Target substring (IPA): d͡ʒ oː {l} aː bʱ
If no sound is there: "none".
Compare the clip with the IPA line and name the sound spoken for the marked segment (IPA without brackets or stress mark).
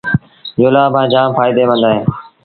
l